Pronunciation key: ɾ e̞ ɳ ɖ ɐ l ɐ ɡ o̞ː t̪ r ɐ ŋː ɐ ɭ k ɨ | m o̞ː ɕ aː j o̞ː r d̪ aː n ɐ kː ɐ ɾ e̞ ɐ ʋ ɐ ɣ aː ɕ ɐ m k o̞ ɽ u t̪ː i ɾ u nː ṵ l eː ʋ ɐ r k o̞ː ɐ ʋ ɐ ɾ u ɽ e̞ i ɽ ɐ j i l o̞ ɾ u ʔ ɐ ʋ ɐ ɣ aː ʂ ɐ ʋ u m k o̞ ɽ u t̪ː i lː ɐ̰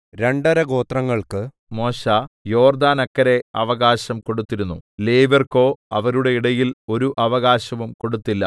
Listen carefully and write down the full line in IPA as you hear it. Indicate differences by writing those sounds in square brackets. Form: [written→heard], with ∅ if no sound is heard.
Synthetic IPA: ɾ e̞ ɳ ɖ ɐ [l→ɾ] ɐ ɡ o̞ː t̪ r ɐ ŋː ɐ ɭ k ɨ | m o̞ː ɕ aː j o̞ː r d̪ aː n ɐ kː ɐ ɾ e̞ ɐ ʋ ɐ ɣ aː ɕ ɐ m k o̞ ɽ u t̪ː i ɾ u nː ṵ l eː ʋ ɐ r k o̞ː ɐ ʋ ɐ ɾ u ɽ e̞ i ɽ ɐ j i l o̞ ɾ u ʔ ɐ ʋ ɐ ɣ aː [ʂ→ɕ] ɐ ʋ u m k o̞ ɽ u t̪ː i lː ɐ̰